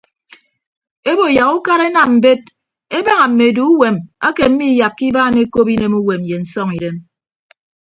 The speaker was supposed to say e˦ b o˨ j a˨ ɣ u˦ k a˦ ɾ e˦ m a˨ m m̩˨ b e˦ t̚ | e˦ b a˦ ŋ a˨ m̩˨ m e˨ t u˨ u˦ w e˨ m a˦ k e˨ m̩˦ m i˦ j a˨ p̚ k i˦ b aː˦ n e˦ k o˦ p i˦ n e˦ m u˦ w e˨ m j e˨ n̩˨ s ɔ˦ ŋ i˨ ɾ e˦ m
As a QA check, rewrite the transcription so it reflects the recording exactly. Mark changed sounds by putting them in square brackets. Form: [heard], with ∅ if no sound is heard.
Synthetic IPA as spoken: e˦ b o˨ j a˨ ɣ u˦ k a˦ ɾ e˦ [n] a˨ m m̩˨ b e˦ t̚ | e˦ b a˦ ŋ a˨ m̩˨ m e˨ [d] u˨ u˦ w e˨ m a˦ k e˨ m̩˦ m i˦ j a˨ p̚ k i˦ b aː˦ n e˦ k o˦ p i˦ n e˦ m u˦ w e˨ m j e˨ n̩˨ s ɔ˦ ŋ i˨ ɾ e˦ m